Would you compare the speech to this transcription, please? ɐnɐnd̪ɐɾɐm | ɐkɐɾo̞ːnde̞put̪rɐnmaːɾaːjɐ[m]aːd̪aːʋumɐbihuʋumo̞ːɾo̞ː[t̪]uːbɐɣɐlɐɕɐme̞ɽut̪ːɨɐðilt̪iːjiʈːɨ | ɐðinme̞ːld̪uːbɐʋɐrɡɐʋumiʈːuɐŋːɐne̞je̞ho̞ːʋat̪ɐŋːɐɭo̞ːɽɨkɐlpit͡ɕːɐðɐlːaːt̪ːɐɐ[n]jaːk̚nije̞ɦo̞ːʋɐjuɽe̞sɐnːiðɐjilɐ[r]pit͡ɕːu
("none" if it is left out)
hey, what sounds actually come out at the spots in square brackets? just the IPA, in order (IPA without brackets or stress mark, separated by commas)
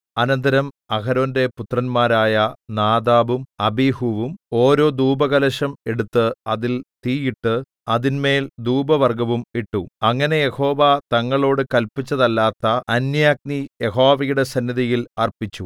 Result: n, d̪, n, r